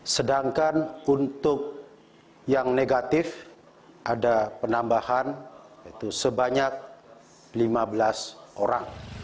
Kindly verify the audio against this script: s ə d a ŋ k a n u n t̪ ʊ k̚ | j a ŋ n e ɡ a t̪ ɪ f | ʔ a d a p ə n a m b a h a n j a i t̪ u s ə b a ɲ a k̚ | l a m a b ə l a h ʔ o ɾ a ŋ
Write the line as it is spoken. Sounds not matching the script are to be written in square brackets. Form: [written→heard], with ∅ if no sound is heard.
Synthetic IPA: s ə d a ŋ k a n u n t̪ ʊ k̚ | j a ŋ n e ɡ a t̪ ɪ f | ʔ a d a p ə n a m b a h a n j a i t̪ u s ə b a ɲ a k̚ | l [a→i] m a b ə l a [h→s] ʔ o ɾ a ŋ